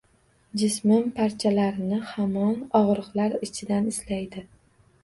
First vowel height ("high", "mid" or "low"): high